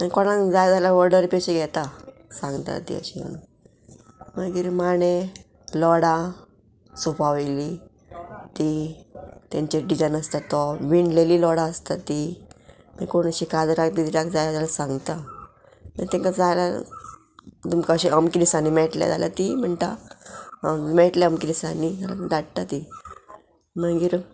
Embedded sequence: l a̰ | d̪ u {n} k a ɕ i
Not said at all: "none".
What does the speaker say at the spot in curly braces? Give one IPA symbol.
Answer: m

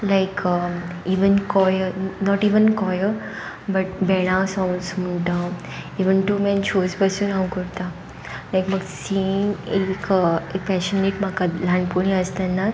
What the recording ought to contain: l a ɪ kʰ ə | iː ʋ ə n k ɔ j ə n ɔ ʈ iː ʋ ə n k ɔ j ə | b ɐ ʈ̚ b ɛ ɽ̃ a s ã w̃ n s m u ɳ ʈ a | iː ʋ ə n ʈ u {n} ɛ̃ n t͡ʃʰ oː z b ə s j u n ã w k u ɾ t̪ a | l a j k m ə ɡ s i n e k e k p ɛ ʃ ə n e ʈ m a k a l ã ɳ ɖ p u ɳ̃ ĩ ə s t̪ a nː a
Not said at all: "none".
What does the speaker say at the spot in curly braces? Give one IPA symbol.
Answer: m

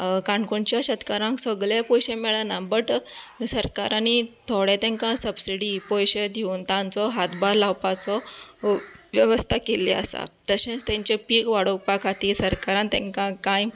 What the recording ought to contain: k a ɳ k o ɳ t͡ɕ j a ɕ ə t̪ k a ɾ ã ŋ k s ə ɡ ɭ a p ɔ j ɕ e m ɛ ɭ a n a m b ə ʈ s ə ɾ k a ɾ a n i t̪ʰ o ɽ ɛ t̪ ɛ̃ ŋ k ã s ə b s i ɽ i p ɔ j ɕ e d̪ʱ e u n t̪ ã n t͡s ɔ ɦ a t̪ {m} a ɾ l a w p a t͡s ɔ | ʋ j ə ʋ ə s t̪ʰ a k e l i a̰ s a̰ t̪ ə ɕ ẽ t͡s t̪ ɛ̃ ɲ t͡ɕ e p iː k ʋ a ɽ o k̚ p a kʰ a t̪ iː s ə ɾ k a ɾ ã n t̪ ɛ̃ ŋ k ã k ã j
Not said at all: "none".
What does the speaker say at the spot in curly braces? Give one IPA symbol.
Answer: b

